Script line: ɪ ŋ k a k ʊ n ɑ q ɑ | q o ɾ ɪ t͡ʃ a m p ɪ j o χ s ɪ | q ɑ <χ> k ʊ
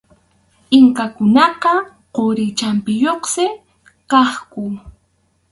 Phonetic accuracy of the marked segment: correct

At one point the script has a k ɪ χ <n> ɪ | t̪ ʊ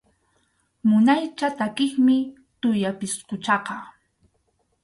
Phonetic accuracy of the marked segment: incorrect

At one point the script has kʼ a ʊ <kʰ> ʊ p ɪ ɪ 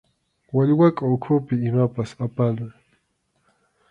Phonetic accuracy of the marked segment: correct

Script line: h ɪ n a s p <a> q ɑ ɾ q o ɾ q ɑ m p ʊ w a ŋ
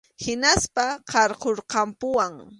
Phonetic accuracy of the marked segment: correct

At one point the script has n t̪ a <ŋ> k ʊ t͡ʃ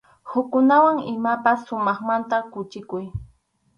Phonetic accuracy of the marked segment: incorrect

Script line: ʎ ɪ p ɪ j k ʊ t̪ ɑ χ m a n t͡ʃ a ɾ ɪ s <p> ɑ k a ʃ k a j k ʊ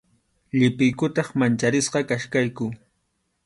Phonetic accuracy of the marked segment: incorrect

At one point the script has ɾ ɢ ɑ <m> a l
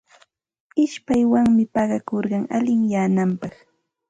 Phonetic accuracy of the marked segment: incorrect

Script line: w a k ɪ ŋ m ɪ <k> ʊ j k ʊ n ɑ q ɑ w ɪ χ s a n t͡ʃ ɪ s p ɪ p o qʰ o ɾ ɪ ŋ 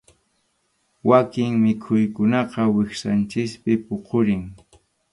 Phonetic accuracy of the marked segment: incorrect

